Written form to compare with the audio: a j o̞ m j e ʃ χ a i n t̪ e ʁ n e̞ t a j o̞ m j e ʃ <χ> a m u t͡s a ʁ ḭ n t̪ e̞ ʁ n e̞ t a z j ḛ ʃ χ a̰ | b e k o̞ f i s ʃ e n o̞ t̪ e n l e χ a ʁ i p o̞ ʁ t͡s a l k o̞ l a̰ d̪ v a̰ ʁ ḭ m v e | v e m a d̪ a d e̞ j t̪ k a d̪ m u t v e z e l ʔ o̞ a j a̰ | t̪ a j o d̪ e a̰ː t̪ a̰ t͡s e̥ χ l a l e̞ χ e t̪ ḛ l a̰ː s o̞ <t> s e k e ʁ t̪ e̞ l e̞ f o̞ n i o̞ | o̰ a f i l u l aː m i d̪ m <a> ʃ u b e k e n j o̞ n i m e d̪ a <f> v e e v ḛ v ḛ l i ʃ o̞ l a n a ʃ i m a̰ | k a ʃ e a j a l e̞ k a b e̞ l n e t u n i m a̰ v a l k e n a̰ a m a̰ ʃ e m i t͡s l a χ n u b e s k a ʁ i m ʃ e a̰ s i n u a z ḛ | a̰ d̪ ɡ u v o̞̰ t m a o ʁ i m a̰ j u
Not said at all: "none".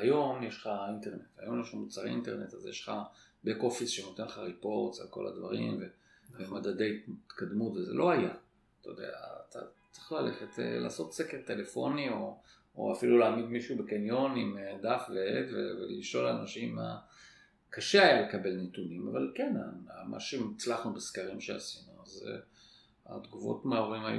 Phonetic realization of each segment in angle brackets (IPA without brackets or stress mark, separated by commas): χ, t, i, f